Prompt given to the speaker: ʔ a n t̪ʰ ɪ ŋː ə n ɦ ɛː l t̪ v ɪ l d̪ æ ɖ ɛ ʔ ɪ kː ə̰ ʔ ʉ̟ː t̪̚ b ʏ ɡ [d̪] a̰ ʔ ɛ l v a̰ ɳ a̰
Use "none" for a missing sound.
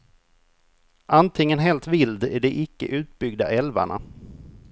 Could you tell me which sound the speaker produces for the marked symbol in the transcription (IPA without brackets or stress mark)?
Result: d̪